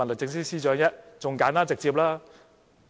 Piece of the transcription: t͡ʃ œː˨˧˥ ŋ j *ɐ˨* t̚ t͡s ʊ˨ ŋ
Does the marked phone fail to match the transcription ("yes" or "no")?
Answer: yes